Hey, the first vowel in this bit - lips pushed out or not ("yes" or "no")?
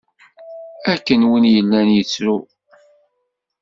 no